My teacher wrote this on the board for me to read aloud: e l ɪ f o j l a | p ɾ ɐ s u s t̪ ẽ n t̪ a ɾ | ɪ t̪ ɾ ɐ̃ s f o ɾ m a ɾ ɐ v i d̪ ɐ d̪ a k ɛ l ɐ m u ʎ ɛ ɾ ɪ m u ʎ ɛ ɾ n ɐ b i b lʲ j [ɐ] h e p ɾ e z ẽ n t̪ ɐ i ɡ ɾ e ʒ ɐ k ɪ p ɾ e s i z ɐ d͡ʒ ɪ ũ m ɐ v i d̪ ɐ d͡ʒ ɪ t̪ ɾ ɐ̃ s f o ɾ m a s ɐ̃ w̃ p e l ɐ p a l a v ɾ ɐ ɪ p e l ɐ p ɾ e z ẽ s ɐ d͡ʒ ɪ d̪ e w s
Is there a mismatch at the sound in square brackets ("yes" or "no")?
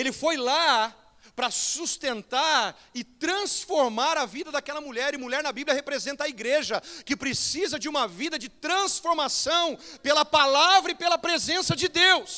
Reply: no